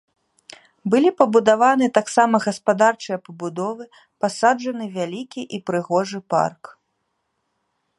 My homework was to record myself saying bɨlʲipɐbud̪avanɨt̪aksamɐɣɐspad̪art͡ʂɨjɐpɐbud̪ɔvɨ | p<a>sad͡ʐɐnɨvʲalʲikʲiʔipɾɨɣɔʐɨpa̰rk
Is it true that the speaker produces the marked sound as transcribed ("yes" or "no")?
yes